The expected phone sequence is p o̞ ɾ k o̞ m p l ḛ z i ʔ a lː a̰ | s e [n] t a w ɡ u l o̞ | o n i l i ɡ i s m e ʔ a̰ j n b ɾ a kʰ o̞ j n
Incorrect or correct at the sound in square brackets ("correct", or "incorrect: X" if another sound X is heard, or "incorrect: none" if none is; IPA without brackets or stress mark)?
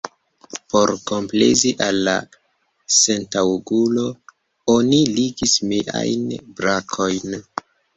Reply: correct